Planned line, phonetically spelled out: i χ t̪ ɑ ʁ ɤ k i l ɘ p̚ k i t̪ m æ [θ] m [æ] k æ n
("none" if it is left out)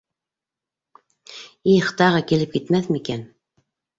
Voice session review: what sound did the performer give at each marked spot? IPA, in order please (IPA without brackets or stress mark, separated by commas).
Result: θ, i